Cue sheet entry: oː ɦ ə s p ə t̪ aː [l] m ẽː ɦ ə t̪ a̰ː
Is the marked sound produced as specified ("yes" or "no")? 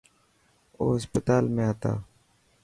yes